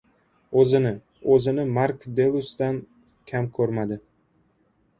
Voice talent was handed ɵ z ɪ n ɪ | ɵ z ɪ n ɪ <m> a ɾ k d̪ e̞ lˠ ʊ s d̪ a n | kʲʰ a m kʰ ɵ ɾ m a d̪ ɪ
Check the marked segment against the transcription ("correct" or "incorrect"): correct